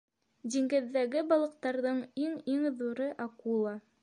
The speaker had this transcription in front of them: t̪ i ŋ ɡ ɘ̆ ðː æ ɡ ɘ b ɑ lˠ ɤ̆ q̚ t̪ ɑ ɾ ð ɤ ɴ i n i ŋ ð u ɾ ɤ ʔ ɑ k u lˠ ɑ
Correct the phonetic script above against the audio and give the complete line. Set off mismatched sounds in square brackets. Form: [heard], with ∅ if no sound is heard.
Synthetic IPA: [d̪] i ŋ ɡ ɘ̆ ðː æ ɡ ɘ b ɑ lˠ ɤ̆ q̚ t̪ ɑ ɾ ð ɤ ɴ i [ŋ] i ŋ ð u ɾ ɤ ʔ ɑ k u lˠ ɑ